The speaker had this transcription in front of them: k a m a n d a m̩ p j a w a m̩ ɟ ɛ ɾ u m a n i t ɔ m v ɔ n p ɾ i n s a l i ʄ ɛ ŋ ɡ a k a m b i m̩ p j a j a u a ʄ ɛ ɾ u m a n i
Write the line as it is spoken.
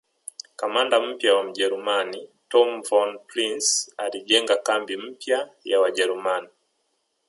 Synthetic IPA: k a m a n d a m̩ p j a w a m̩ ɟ ɛ ɾ u m a n i t ɔ m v ɔ n p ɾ i n s a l i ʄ ɛ ŋ ɡ a k a m b i m̩ p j a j a w a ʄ ɛ ɾ u m a n i